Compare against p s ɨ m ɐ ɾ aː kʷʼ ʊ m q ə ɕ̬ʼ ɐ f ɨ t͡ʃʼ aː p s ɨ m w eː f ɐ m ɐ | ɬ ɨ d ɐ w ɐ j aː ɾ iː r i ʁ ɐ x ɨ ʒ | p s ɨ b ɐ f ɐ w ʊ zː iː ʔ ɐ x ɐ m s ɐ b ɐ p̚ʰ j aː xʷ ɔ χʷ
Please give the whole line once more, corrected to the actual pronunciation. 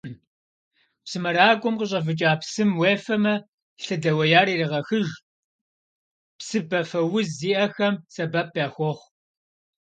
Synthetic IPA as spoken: p s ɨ m ɐ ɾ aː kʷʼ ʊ m q ə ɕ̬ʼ ɐ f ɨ t͡ʃʼ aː p s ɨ m w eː f ɐ m ɐ | ɬ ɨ d ɐ w ɐ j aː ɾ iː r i ʁ ɐ x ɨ ʒ | p s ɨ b ɐ f ɐ w ʊ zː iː ʔ ɐ x ɐ m s ɐ b ɐ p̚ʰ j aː xʷ ɔ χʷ

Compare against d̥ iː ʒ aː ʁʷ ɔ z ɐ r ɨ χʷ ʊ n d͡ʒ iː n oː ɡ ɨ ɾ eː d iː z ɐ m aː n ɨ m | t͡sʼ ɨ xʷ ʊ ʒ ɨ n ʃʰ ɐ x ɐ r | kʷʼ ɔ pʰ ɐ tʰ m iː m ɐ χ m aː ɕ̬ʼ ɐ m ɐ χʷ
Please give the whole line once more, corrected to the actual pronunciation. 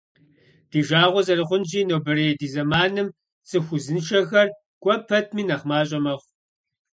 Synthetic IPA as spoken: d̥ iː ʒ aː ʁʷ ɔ z ɐ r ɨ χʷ ʊ n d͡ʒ iː n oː b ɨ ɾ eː d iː z ɐ m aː n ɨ m | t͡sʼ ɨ xʷ ʊ z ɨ n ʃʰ ɐ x ɐ r | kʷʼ ɔ pʰ ɐ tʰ m iː n ɐ χ m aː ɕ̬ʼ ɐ m ɐ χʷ

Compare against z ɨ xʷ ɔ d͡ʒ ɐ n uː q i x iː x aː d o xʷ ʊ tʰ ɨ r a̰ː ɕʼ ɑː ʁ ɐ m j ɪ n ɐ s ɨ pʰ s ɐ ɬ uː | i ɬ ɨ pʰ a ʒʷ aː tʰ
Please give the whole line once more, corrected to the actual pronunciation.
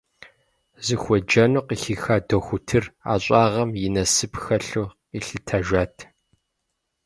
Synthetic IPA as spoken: z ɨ xʷ ɔ d͡ʒ ɐ n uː q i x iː x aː d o xʷ ʊ tʰ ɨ r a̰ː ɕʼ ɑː ʁ ɐ m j ɪ n ɐ s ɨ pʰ x ɐ ɬ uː | i ɬ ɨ tʰ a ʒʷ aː tʰ

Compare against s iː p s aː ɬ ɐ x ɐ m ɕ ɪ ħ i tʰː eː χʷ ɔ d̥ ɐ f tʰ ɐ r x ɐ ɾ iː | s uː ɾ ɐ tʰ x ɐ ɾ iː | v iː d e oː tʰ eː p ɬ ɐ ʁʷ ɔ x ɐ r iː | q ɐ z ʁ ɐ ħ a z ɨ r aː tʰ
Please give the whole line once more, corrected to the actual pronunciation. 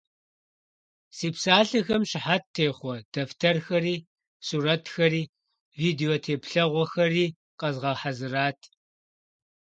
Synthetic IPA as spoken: s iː p s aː ɬ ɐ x ɐ m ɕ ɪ ħ a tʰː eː χʷ ɔ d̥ ɐ f tʰ ɐ r x ɐ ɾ iː | s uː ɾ ɐ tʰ x ɐ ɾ iː | v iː d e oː tʰ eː p ɬ ɐ ʁʷ ɔ x ɐ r iː | q ɐ z ʁ ɐ ħ a z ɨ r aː tʰ

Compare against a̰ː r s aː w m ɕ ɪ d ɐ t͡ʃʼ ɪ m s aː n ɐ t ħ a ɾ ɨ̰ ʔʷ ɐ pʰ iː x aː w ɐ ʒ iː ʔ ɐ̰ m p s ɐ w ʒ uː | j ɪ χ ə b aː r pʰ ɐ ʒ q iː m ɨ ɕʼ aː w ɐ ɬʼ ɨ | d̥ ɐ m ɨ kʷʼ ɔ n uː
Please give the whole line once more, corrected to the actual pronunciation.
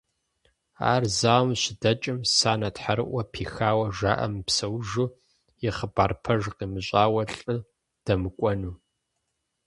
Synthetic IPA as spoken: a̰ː r z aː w m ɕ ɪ d ɐ t͡ʃʼ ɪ m s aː n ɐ t ħ a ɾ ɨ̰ ʔʷ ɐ pʰ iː x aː w ɐ ʒ aː ʔ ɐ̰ m p s ɐ w ʒ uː | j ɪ χ ə b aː r pʰ ɐ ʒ q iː m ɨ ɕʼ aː w ɐ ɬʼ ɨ | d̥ ɐ m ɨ kʷʼ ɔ n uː

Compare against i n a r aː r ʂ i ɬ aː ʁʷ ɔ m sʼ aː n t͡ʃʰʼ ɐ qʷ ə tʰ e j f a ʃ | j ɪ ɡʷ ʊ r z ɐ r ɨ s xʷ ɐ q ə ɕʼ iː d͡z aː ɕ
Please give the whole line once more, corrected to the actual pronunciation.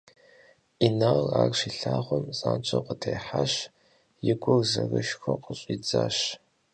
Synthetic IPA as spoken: i n a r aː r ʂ i ɬ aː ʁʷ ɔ m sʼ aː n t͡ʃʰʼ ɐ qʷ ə tʰ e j ħ a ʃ | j ɪ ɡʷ ʊ r z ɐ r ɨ ʃ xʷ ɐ q ə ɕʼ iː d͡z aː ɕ

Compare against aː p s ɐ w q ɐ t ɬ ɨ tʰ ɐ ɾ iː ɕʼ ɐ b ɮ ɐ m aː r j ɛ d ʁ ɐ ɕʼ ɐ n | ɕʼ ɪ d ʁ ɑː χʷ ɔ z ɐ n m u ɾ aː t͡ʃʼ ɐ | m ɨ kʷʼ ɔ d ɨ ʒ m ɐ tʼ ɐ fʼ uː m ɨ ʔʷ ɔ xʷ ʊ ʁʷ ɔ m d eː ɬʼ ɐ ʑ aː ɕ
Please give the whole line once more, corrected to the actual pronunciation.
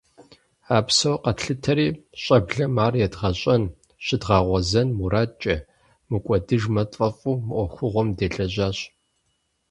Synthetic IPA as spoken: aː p s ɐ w q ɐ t ɬ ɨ tʰ ɐ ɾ iː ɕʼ ɐ b ɮ ɐ m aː r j ɛ d ʁ ɐ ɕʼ ɐ n | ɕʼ ɪ d ʁ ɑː ʁʷ ɔ z ɐ n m u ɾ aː t͡ʃʼ ɐ | m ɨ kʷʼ ɔ d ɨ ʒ m ɐ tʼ ɐ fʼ uː m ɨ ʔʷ ɔ xʷ ʊ ʁʷ ɔ m d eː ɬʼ ɐ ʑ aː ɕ

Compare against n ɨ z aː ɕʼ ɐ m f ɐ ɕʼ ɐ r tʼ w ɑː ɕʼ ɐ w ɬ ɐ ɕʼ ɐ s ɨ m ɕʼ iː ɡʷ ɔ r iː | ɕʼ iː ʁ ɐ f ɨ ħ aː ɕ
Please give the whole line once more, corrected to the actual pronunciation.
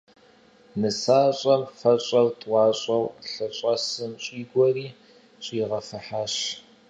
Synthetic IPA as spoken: n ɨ s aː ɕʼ ɐ m f ɐ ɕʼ ɐ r tʼ w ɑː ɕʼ ɐ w ɬ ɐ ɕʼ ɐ s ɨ m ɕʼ iː ɡʷ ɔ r iː | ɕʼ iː ʁ ɐ f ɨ ħ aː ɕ

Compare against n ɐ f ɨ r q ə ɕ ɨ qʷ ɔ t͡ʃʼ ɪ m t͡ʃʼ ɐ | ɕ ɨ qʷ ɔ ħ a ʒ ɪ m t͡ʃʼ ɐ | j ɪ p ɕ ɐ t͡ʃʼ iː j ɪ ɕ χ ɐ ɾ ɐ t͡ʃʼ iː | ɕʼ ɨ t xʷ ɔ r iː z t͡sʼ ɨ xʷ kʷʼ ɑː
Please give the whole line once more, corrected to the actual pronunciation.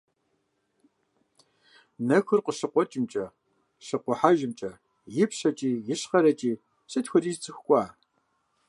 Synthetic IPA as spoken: n ɐ x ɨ r q ə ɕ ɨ qʷ ɔ t͡ʃʼ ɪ m t͡ʃʼ ɐ | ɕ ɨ qʷ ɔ ħ a ʒ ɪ m t͡ʃʼ ɐ | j ɪ p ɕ ɐ t͡ʃʼ iː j ɪ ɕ χ ɐ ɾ ɐ t͡ʃʼ iː | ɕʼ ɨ t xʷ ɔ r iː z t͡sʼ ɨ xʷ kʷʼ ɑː

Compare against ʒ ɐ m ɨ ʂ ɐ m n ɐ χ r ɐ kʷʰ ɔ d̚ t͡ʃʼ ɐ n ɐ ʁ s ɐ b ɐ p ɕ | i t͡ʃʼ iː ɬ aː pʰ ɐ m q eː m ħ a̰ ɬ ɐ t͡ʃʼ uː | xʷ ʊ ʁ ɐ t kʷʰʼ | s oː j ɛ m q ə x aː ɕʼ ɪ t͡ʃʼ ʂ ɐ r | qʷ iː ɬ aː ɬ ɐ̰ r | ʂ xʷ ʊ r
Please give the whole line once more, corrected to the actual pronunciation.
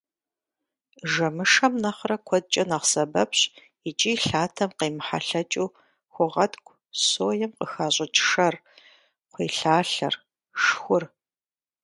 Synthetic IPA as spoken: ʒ ɐ m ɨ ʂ ɐ m n ɐ χ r ɐ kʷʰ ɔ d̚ t͡ʃʼ ɐ n ɐ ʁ s ɐ b ɐ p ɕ | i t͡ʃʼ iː ɬ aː tʰ ɐ m q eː m ħ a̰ ɬ ɐ t͡ʃʼ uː | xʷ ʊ ʁ ɐ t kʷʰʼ | s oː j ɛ m q ə x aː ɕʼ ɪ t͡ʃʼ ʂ ɐ r | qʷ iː ɬ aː ɬ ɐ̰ r | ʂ xʷ ʊ r

